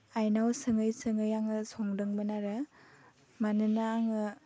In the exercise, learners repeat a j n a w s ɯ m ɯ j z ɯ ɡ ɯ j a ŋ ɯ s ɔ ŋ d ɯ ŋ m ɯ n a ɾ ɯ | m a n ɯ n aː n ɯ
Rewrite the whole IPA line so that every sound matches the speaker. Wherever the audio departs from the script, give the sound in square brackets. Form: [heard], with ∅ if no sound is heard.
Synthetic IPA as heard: a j n a w s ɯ [ŋ] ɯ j [s] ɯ [ŋ] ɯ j a ŋ ɯ s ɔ ŋ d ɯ ŋ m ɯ n a ɾ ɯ | m a n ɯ n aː [ŋ] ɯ